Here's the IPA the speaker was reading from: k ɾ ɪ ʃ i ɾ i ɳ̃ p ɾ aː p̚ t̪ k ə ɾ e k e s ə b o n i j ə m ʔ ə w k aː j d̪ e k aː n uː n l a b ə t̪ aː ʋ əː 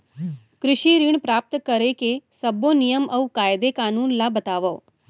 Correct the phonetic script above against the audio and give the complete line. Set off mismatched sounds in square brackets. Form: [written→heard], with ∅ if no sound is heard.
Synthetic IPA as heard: k ɾ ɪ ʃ i ɾ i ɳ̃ p ɾ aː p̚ t̪ k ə ɾ e k e s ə b o n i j ə m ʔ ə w k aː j d̪ e k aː n uː n l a b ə t̪ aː ʋ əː